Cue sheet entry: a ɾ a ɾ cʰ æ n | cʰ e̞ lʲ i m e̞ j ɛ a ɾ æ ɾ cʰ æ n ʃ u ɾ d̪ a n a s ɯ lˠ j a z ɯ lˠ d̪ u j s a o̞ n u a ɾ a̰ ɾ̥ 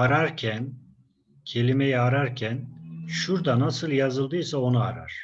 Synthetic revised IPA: a ɾ a ɾ cʰ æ n | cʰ e̞ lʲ i m e̞ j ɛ a ɾ a ɾ cʰ æ n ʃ u ɾ d̪ a n a s ɯ lˠ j a z ɯ lˠ d̪ ɯ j s a o̞ n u a ɾ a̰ ɾ̥